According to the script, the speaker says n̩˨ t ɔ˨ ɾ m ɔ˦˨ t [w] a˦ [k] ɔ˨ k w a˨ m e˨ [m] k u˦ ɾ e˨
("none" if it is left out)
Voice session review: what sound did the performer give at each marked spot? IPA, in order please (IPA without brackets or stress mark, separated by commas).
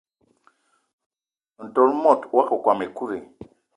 w, k, none